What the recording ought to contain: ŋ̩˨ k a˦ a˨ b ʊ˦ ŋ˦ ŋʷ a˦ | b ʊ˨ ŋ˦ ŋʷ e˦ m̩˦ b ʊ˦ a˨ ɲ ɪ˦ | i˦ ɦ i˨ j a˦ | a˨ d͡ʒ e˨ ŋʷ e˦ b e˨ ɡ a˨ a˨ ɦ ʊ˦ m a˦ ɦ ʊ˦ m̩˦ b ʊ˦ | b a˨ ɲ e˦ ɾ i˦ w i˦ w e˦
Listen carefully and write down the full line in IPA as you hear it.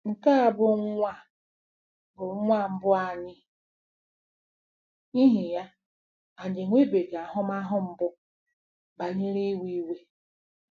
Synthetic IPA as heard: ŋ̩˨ k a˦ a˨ b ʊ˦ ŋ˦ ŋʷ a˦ | b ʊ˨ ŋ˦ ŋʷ a˦ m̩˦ b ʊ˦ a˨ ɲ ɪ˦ | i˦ ɦ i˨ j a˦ | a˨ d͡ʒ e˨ ŋʷ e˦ b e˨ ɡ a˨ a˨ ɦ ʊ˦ m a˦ ɦ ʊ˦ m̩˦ b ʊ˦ | b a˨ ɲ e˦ ɾ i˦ w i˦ w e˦